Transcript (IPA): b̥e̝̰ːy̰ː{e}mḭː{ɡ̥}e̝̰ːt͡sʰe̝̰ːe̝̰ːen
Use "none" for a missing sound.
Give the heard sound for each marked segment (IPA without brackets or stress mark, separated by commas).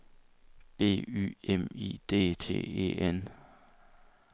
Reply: e, d̥